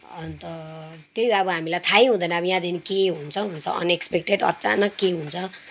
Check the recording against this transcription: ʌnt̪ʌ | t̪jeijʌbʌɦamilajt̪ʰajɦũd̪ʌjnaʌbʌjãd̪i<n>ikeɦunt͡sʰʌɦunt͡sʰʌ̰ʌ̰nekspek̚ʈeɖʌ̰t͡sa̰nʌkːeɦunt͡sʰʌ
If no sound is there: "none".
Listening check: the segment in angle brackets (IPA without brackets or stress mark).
n